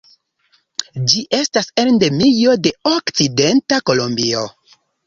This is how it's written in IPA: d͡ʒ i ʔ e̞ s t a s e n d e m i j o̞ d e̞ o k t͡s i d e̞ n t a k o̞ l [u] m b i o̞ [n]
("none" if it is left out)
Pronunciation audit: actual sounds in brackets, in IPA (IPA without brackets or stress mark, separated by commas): o, none